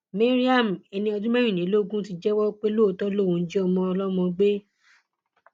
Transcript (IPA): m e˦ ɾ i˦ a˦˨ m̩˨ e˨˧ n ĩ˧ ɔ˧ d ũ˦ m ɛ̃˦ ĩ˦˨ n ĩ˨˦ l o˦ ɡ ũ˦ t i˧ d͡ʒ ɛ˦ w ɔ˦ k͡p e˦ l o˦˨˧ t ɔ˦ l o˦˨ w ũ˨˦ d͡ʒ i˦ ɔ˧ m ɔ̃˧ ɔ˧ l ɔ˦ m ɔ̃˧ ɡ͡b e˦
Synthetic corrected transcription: m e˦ ɾ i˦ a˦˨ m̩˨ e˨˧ n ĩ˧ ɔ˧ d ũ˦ m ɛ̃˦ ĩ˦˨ n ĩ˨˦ l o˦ ɡ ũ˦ t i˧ d͡ʒ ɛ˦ w ɔ˦ k͡p e˦ l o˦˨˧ t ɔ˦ l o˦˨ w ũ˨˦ d͡ʒ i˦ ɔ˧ m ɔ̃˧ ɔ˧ l ɔ˦ m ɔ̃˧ ɡ͡b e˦

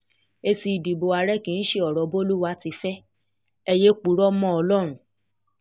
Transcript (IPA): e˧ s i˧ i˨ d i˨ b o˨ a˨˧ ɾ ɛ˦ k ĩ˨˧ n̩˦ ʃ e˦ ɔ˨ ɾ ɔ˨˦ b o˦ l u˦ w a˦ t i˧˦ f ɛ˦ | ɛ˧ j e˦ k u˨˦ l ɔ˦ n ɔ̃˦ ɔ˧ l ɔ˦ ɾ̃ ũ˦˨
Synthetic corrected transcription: e˧ s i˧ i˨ d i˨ b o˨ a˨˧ ɾ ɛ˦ k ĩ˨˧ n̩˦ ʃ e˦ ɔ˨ ɾ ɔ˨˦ b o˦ l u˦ w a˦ t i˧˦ f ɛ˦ | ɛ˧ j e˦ k͡p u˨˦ ɾ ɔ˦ m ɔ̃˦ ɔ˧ l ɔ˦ ɾ̃ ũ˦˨

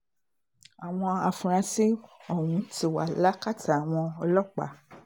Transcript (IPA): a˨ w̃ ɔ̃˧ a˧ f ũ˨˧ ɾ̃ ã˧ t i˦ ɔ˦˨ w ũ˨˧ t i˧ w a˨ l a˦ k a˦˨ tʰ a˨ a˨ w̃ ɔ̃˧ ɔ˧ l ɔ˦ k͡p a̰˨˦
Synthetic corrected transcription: a˨ w̃ ɔ̃˧ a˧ f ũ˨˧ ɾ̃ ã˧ s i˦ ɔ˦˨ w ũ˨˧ t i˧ w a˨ l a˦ k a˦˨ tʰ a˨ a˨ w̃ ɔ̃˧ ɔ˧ l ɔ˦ k͡p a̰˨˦

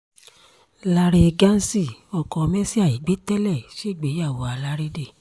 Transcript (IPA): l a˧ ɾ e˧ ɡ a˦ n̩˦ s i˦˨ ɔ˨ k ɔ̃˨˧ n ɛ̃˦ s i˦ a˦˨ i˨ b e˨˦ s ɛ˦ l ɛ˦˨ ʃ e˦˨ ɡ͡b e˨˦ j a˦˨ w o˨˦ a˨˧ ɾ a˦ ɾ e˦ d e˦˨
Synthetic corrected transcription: l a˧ ɾ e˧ ɡ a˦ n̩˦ s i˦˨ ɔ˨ k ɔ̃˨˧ m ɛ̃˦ s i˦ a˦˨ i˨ ɡ͡b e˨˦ t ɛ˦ l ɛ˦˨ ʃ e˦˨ ɡ͡b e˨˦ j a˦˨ w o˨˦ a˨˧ l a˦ ɾ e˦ d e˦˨

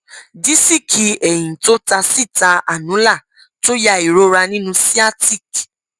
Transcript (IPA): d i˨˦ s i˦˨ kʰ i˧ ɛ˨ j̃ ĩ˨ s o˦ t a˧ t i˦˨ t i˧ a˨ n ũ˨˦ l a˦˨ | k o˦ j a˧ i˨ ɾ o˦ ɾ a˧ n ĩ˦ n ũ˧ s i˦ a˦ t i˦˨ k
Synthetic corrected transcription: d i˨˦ s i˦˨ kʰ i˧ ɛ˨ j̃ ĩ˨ t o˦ t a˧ s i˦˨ t a˧ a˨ n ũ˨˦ l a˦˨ | t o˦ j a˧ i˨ ɾ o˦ ɾ a˧ n ĩ˦ n ũ˧ s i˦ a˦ t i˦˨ k

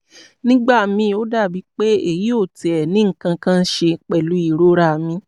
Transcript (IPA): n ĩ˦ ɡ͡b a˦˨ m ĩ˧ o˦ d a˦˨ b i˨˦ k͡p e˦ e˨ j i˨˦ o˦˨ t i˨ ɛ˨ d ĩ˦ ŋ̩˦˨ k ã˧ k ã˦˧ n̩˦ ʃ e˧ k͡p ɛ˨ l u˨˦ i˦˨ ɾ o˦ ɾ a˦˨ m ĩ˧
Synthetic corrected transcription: n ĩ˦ ɡ͡b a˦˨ m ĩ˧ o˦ d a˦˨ b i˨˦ k͡p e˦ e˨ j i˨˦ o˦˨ t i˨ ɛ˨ n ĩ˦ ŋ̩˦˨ k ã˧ k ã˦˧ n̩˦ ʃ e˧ k͡p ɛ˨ l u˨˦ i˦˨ ɾ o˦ ɾ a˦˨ m ĩ˧

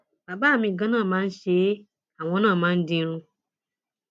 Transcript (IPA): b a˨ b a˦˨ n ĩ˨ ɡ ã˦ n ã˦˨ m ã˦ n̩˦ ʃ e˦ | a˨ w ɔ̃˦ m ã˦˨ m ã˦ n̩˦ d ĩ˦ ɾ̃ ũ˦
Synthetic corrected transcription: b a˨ b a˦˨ m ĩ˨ ɡ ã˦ n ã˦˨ m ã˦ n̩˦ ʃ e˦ | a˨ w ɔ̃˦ n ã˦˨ m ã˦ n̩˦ d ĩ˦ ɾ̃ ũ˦

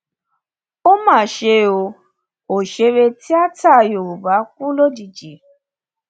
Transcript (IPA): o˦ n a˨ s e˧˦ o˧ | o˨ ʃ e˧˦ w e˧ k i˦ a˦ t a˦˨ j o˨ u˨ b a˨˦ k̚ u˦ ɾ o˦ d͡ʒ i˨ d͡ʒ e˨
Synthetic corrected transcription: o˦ m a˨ ʃ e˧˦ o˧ | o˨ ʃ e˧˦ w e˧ t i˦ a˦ t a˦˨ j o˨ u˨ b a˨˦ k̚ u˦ l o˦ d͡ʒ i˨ d͡ʒ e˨

